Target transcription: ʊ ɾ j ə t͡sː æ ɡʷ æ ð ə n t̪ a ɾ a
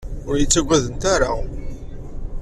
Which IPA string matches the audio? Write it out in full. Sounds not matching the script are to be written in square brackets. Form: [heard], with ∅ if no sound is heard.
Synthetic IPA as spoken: ʊ ɾ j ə t͡sː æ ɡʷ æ ð ə n t̪ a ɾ a

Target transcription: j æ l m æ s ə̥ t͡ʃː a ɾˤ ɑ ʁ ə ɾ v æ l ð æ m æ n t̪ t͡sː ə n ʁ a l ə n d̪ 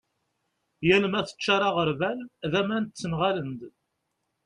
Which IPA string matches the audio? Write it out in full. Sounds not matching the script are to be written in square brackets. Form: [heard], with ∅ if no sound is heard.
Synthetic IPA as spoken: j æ l m æ [θ] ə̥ t͡ʃː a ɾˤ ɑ ʁ ə ɾ v æ l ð æ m æ n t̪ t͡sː ə n ʁ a l ə n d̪

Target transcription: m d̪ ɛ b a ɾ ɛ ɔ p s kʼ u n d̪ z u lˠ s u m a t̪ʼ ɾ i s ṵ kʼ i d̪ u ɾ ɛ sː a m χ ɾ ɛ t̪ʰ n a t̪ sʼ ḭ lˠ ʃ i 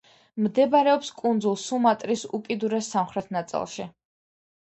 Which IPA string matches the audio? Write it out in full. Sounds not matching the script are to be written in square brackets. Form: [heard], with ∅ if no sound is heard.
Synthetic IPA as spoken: m d̪ ɛ b a ɾ ɛ ɔ p s kʼ u n d̪ z u lˠ s u m a t̪ʼ ɾ i s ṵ kʼ i d̪ u ɾ ɛ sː a m χ ɾ ɛ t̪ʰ n a t̪ sʼ ḭ lˠ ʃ i

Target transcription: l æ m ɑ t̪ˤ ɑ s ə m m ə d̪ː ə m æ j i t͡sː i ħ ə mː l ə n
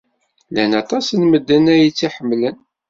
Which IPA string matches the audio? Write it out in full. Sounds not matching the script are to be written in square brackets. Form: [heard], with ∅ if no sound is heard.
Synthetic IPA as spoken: l æ [n] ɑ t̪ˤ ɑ s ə [n] m ə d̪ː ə [n] æ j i t͡sː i ħ ə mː l ə n

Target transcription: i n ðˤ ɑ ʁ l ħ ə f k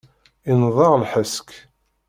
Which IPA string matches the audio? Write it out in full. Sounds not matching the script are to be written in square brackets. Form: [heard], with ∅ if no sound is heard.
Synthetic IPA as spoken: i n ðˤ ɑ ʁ l ħ ə [s] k

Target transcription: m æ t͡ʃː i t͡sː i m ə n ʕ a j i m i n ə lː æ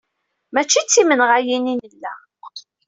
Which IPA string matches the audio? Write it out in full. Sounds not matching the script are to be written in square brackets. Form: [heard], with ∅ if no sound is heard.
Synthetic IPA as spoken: m æ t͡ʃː i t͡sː i m ə n [ʁ] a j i [n] i n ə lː æ

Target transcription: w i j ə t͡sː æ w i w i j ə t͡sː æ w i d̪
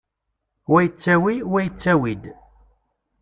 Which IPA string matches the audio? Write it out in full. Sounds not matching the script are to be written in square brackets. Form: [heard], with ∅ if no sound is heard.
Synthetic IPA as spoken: w [æ] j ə t͡sː æ w i w [æ] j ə t͡sː æ w i d̪

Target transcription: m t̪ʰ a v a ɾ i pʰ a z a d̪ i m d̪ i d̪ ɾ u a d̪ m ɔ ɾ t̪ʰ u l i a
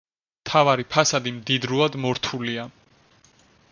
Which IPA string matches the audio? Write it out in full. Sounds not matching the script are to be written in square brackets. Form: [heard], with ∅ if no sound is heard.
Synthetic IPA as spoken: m t̪ʰ a v a ɾ i pʰ a [s] a d̪ i m d̪ i d̪ ɾ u a d̪ m ɔ ɾ t̪ʰ u l i a

